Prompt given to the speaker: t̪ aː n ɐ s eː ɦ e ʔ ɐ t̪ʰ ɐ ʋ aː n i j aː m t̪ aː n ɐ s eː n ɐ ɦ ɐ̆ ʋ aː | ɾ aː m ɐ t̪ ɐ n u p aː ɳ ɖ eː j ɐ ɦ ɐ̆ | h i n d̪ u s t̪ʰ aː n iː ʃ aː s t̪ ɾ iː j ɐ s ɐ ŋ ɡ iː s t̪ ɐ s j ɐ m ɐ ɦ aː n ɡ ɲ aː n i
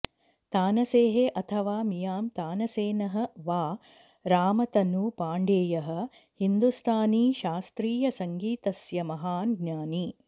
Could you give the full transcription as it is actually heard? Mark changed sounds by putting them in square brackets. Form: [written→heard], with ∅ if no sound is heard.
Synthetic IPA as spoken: t̪ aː n ɐ s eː ɦ e ʔ ɐ t̪ʰ ɐ ʋ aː [n→m] i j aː m t̪ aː n ɐ s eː n ɐ ɦ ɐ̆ ʋ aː | ɾ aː m ɐ t̪ ɐ n u p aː ɳ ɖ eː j ɐ ɦ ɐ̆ | h i n d̪ u s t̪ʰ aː n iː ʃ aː s t̪ ɾ iː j ɐ s ɐ ŋ ɡ iː [s→∅] t̪ ɐ s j ɐ m ɐ ɦ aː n ɡ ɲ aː n i